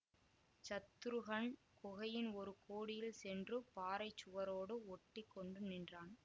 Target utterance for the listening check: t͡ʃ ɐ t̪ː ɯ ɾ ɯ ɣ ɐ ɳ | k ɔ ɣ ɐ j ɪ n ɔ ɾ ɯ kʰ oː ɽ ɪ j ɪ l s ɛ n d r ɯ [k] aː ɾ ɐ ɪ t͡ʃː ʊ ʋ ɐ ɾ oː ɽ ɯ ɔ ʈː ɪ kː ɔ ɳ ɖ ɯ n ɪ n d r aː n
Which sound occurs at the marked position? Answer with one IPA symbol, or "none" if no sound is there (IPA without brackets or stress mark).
p